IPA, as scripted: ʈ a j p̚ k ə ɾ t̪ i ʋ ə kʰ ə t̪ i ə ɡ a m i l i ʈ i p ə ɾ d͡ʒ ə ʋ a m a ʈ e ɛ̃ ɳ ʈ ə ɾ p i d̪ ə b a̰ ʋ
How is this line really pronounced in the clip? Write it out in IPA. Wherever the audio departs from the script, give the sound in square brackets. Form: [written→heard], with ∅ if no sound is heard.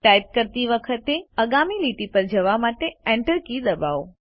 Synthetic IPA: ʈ a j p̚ k ə ɾ t̪ i ʋ ə kʰ ə t̪ [i→e] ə ɡ a m i l i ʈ i p ə ɾ d͡ʒ ə ʋ a m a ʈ e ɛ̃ ɳ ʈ ə ɾ [p→k] i d̪ ə b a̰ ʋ